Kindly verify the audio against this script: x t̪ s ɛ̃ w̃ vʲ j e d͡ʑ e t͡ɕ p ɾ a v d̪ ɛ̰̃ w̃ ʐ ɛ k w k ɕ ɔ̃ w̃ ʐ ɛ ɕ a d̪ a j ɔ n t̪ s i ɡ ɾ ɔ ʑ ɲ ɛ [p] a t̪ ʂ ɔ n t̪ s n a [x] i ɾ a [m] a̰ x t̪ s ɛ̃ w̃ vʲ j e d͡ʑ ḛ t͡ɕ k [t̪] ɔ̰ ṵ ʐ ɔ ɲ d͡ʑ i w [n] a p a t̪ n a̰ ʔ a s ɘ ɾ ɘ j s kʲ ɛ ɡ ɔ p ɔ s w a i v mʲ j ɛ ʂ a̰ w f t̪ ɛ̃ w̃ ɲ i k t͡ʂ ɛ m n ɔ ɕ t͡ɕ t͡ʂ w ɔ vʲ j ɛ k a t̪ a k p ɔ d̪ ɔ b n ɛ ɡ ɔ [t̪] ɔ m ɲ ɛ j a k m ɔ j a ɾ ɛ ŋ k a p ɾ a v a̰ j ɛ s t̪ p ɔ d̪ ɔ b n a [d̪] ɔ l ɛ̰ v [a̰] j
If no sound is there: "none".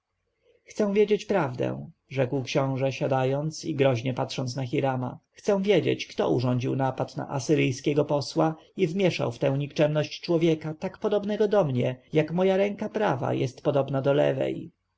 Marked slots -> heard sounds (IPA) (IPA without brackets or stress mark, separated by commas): p, x, m, t̪, n, d̪, d̪, ɛ̰